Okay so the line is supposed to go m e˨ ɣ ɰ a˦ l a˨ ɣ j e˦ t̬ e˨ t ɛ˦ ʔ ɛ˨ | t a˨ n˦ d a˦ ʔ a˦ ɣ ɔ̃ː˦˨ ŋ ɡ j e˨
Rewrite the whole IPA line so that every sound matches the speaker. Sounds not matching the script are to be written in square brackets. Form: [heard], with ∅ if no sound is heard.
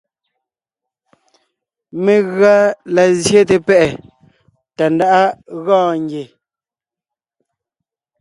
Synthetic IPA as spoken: m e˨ ɣ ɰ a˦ l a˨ [z] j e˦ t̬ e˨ [p] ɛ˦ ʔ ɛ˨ | t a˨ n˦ d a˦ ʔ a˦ ɣ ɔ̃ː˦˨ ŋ ɡ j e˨